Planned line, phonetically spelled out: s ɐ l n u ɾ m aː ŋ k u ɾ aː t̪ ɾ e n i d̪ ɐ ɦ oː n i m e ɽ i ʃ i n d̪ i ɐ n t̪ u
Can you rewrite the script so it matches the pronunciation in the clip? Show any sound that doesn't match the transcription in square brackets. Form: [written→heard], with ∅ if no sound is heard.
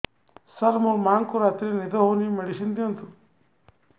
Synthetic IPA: s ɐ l [n→m] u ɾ m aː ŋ k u ɾ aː t̪ ɾ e n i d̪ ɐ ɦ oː n i m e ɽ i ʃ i n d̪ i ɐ n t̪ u